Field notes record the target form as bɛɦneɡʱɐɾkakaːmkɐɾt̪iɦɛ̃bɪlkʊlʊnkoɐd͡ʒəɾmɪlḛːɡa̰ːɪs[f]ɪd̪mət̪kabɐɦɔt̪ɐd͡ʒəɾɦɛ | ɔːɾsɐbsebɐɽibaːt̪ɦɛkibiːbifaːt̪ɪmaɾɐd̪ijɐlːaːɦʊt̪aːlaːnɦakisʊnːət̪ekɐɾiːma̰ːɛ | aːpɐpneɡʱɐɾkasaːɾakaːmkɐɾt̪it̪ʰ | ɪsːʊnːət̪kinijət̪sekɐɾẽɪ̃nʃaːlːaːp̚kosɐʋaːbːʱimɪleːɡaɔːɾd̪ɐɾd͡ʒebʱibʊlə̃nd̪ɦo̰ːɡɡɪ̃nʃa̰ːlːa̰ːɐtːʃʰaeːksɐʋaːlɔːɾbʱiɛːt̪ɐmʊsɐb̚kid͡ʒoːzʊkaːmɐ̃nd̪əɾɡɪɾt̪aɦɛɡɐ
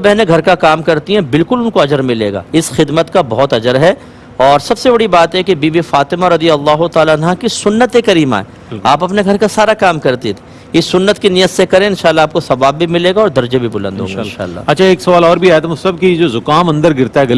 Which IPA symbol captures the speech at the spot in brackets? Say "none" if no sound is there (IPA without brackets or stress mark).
x